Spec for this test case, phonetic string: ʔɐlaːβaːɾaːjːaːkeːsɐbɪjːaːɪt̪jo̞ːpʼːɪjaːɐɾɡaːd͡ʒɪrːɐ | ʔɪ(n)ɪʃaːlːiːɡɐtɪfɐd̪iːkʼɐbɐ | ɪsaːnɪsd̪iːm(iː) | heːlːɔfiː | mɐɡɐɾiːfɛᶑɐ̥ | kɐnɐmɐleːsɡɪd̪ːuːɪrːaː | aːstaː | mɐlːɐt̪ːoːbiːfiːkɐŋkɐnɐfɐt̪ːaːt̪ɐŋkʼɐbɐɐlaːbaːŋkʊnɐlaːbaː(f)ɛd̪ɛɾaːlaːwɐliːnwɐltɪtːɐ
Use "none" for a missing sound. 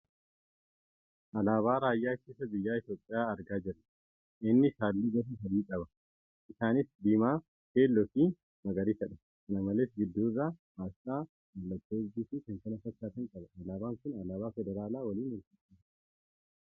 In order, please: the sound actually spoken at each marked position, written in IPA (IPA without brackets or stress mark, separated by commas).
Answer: nː, aː, f